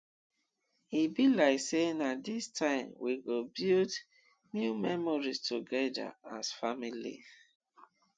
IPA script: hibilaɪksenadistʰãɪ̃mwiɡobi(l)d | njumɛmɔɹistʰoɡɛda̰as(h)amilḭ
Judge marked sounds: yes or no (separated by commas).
yes, no